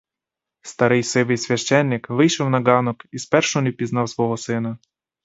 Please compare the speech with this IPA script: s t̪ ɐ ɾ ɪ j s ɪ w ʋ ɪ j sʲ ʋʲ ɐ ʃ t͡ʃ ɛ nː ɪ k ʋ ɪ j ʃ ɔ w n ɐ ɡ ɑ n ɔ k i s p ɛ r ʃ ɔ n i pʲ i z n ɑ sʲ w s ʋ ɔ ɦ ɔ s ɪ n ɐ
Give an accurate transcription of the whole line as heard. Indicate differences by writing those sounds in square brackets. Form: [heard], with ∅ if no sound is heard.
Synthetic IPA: s t̪ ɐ ɾ ɪ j s ɪ [∅] ʋ ɪ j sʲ ʋʲ ɐ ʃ t͡ʃ ɛ nː ɪ k ʋ ɪ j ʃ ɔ w n ɐ ɡ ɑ n ɔ k i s p ɛ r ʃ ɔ n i pʲ i z n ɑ [∅] w s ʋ ɔ ɦ ɔ s ɪ n ɐ